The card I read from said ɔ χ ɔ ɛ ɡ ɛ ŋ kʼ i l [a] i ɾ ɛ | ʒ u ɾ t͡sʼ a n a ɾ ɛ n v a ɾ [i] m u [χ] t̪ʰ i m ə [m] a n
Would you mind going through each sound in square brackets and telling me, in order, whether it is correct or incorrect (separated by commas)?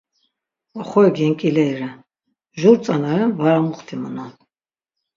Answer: incorrect, incorrect, correct, incorrect